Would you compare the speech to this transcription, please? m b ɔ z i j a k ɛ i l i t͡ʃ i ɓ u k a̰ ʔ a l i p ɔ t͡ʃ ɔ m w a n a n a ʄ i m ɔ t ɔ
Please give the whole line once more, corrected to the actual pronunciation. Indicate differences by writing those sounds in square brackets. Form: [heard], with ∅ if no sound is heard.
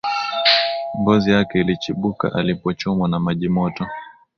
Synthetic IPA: m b ɔ z i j a k ɛ i l i t͡ʃ i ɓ u k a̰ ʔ a l i p ɔ t͡ʃ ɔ m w a n a [m] a ʄ i m ɔ t ɔ